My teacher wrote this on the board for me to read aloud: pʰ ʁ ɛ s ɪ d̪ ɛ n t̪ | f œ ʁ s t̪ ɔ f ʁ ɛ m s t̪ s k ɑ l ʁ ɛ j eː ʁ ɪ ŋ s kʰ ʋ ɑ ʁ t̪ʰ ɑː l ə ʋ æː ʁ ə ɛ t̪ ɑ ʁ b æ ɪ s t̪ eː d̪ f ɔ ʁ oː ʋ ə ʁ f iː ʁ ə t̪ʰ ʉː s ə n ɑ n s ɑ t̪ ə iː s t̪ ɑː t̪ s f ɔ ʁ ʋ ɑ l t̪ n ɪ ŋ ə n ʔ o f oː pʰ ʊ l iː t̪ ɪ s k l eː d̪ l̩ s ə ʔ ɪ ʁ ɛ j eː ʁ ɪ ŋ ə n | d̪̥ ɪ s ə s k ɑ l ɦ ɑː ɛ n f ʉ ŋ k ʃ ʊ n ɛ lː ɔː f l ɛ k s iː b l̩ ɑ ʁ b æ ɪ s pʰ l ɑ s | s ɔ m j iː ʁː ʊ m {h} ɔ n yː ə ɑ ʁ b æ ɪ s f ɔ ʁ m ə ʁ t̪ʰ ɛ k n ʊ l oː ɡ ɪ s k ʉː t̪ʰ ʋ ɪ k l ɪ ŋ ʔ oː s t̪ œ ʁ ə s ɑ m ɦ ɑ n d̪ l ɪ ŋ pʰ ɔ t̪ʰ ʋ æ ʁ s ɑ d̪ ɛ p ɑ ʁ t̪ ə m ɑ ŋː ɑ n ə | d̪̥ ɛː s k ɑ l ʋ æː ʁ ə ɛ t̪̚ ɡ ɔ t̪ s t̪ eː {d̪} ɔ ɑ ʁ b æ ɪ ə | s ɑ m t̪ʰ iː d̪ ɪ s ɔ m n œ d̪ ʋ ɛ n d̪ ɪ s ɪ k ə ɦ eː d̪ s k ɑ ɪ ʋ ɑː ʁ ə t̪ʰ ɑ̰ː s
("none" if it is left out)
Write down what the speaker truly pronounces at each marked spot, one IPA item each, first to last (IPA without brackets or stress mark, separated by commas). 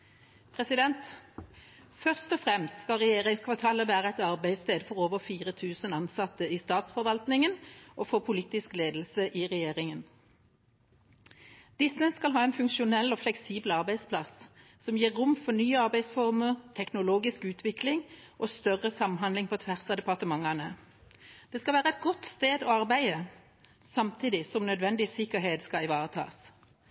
f, d̪